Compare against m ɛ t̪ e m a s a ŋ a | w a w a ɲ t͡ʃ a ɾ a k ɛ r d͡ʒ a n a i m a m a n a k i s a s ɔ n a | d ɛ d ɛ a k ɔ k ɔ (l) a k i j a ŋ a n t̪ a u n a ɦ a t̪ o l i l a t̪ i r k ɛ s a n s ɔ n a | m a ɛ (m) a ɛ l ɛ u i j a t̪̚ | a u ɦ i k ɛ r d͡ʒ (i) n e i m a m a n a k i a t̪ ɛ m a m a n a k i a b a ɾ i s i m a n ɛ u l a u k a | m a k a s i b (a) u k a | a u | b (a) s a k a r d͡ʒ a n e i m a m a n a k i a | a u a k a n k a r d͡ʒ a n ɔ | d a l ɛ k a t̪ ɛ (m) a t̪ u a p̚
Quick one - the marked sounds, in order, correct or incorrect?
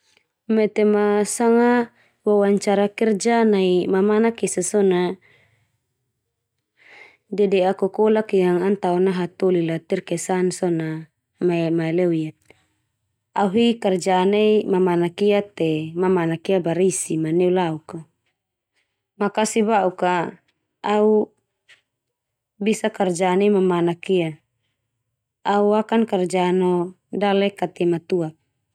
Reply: correct, correct, incorrect: a, correct, incorrect: i, correct

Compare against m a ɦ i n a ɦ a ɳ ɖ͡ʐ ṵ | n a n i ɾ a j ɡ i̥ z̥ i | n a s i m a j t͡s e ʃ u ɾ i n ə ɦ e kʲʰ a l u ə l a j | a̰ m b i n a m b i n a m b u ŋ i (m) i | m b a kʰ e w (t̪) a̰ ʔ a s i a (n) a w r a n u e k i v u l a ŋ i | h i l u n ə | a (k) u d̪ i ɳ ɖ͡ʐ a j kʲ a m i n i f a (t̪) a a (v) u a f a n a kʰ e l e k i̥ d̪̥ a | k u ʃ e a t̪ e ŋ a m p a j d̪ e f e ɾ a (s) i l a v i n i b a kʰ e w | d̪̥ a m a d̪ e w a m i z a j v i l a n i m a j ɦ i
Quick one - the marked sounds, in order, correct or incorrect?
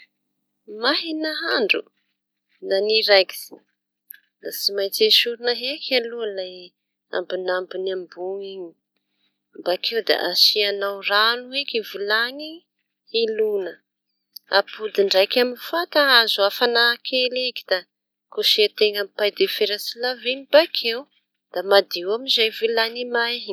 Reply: incorrect: ɲ, incorrect: d̪, correct, incorrect: p, correct, incorrect: z, correct

